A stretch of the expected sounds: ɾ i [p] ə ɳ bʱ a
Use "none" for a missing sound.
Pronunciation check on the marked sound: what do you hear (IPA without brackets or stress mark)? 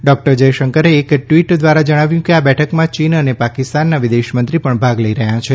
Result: p